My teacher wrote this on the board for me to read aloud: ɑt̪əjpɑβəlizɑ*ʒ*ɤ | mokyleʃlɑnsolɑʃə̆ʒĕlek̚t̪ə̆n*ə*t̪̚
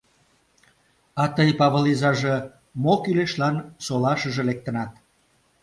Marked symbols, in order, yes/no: yes, no

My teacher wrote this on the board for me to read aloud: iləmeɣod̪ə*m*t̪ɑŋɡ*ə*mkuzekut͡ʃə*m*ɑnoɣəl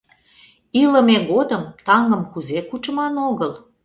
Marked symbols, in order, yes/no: yes, yes, yes

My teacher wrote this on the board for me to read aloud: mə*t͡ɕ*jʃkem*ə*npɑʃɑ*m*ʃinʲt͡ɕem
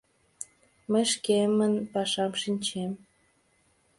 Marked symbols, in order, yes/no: no, yes, yes

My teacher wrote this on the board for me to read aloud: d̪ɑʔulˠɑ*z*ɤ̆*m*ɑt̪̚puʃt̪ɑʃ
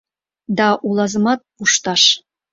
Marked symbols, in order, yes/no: yes, yes

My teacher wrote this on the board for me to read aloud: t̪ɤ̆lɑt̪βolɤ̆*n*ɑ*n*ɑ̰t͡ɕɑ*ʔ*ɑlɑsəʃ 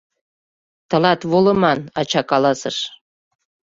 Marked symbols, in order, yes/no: no, yes, no

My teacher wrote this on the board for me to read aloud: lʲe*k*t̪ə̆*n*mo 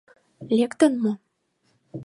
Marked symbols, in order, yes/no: yes, yes

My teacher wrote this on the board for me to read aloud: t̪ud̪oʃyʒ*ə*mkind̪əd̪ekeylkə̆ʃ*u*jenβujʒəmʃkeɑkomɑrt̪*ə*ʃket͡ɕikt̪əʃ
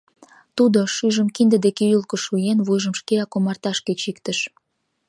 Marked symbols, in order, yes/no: yes, yes, no

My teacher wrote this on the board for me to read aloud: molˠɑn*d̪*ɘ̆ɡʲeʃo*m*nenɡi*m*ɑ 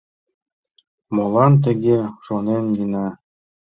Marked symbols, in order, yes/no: no, no, no

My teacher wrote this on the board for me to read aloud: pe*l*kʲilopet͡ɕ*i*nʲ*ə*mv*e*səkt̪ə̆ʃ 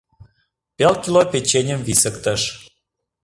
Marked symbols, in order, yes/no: yes, no, yes, no

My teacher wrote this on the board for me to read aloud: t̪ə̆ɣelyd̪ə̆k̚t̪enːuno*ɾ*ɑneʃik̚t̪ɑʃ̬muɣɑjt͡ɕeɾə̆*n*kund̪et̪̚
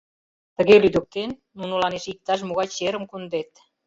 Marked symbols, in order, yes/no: no, no

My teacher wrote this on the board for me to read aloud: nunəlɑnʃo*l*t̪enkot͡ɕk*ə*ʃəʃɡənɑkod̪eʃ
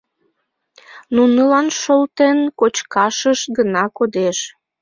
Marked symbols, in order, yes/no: yes, no

